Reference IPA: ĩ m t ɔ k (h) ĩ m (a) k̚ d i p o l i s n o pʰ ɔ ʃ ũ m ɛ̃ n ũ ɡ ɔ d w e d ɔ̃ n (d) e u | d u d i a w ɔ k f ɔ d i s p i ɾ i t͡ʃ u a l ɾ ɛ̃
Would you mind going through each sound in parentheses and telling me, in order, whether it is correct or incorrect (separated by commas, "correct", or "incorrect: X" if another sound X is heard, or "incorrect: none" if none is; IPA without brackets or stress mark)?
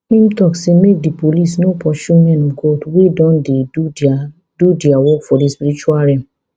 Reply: incorrect: s, incorrect: e, correct